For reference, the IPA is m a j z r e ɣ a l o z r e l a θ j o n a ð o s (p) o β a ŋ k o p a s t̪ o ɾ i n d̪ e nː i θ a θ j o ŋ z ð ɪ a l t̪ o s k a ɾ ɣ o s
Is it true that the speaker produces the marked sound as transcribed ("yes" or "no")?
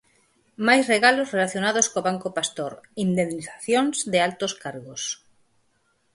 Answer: no